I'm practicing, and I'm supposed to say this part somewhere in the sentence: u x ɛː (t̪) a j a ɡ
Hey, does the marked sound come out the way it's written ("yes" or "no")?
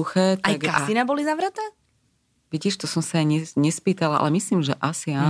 yes